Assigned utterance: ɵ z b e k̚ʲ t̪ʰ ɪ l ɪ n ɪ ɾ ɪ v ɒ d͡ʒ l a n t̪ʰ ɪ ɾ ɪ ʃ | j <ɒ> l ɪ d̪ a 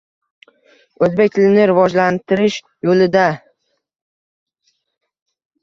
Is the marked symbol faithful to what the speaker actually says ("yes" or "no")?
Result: no